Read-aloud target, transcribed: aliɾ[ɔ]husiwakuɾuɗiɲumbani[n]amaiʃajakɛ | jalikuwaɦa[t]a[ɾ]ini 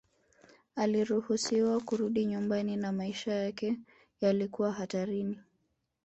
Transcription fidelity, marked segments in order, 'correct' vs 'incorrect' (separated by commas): incorrect, correct, correct, correct